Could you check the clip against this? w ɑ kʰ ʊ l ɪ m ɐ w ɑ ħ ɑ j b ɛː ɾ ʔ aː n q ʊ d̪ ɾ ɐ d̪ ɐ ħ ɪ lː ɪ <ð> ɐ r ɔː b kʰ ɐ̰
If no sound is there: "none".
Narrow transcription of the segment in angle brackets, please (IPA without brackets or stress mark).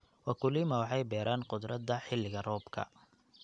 ɣ